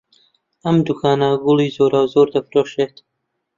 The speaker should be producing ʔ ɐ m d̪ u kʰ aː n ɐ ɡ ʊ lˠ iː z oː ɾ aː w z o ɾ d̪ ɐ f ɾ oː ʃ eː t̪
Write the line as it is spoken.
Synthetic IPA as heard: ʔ ɐ m d̪ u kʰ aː n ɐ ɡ ʊ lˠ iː z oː ɾ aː w z o ɾ d̪ ɐ f ɾ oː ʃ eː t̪